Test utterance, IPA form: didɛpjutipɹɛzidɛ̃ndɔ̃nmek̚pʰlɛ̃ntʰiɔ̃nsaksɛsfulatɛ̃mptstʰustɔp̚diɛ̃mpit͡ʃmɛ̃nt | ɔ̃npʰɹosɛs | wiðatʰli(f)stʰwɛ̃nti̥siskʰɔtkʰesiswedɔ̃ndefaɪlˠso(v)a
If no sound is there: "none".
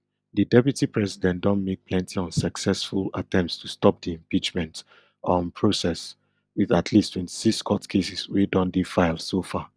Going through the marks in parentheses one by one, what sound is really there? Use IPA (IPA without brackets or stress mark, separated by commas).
none, f